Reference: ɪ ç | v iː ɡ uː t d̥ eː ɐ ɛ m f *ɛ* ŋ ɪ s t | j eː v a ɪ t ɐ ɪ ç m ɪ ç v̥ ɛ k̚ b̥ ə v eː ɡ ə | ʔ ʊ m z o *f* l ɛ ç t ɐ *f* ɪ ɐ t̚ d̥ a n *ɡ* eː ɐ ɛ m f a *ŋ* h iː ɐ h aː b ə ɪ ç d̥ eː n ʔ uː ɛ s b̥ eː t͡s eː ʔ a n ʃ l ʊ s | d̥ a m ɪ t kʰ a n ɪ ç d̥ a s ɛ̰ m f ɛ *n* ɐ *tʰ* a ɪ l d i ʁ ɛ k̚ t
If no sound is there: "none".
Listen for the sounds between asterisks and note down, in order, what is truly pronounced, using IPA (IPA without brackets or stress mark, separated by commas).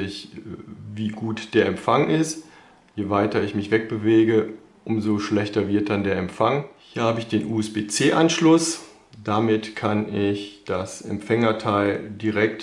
a, ʃ, v, d, ŋ, ŋ, tʰ